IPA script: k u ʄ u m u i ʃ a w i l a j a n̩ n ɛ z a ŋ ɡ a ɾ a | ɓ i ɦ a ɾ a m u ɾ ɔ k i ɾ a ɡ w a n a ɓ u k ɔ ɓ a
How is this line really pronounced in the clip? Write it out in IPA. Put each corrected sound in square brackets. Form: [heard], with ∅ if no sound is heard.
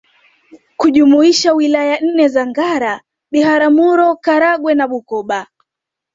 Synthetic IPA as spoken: k u ʄ u m u i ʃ a w i l a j a n̩ n ɛ z a ŋ ɡ a ɾ a | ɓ i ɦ a ɾ a m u ɾ ɔ k [a] ɾ a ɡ w [ɛ] n a ɓ u k ɔ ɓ a